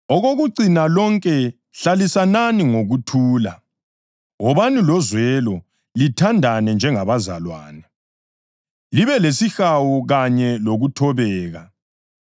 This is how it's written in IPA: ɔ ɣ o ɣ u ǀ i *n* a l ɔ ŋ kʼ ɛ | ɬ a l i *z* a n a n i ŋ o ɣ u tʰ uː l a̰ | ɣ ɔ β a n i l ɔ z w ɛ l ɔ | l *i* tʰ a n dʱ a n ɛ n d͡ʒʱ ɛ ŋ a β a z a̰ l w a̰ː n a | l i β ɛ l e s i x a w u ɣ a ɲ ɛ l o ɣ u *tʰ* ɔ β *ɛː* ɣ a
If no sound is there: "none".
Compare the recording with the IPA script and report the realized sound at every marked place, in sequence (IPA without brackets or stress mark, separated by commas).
n, s, i, tʰ, ɛː